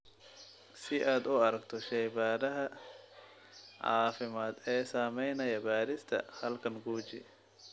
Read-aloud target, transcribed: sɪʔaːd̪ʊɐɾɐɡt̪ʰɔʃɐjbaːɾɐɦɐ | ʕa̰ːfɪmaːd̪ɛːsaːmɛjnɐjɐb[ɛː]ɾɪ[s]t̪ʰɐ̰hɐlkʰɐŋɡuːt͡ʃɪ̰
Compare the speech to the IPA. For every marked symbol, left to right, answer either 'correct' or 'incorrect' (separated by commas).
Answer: incorrect, correct